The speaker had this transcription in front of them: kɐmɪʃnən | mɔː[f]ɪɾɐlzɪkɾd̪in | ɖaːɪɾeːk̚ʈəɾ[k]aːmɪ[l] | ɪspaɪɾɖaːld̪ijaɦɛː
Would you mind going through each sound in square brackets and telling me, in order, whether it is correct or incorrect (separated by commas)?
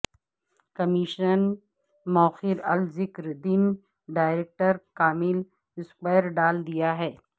incorrect, correct, correct